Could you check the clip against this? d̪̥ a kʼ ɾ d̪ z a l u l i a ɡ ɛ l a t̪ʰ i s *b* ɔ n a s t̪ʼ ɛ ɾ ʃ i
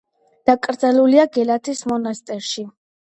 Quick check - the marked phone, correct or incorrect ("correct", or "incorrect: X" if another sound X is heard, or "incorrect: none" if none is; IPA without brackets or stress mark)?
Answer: incorrect: m